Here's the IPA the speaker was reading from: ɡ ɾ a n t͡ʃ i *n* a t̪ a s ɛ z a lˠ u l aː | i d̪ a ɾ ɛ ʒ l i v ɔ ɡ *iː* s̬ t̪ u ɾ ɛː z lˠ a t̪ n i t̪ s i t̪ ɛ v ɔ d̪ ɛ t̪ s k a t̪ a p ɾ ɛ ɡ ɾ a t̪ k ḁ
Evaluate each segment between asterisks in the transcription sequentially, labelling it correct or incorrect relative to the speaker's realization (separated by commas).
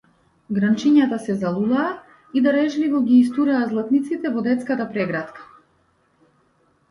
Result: incorrect, correct